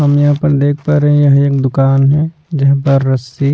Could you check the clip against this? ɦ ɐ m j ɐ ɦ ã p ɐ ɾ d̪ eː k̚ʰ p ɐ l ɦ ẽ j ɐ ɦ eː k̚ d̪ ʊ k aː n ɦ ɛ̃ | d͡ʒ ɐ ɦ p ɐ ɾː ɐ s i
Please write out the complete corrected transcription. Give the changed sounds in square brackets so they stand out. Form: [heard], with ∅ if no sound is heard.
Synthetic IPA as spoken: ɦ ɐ m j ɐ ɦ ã p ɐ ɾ d̪ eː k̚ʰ p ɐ [ɾ] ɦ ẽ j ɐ ɦ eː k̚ d̪ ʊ k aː n ɦ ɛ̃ | d͡ʒ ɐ ɦ p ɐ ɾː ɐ s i